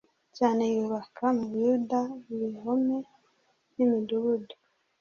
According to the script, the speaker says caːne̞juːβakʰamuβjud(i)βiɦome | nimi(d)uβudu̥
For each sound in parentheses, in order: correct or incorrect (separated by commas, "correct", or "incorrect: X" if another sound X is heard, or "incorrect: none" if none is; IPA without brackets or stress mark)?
incorrect: a, correct